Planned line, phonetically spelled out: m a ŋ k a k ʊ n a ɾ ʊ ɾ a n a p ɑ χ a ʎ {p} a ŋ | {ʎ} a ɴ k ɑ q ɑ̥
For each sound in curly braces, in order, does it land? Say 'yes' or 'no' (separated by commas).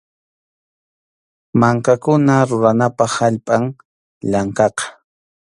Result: no, yes